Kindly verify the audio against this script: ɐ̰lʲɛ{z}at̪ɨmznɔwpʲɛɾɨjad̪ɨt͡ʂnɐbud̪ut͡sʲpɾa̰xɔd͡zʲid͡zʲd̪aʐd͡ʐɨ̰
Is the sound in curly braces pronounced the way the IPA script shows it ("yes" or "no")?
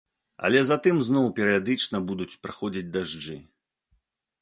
yes